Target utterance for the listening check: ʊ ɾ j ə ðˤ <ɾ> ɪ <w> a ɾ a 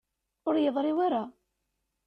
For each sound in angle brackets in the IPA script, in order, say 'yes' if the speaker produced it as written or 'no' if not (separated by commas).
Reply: yes, yes